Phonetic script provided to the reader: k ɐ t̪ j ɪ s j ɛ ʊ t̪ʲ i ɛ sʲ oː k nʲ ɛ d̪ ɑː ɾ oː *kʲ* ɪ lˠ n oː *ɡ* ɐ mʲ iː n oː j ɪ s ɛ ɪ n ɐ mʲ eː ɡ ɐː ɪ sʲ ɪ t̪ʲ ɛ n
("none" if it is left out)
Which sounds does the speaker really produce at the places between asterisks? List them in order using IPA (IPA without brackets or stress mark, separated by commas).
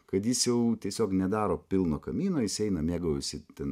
pʲ, k